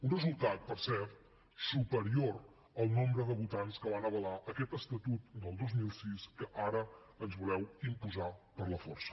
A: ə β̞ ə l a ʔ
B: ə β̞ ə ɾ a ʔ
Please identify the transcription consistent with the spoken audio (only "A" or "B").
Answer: A